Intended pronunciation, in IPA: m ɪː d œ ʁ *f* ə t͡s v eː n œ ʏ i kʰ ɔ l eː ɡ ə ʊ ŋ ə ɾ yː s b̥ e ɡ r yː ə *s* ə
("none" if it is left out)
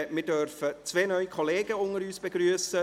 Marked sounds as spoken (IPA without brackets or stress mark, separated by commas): f, s